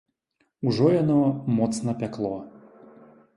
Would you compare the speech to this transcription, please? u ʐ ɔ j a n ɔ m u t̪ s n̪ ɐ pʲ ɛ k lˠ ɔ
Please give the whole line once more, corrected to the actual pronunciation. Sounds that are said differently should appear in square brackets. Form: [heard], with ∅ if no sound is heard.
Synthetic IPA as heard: u ʐ ɔ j a n ɔ m [ɔ] t̪ s n̪ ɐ pʲ [a] k lˠ ɔ